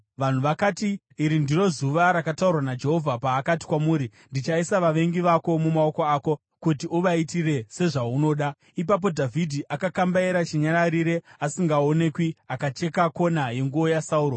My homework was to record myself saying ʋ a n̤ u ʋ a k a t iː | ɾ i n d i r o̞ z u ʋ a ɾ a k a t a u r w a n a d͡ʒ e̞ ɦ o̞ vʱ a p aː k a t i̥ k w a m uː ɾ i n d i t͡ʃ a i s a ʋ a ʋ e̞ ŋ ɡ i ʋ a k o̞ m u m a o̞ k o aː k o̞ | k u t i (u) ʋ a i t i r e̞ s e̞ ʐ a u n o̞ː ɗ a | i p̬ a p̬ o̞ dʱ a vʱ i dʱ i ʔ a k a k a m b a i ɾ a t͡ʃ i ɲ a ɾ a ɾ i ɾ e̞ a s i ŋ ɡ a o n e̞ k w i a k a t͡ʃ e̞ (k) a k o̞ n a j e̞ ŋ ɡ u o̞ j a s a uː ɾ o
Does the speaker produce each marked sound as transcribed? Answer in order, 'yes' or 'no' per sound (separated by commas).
yes, yes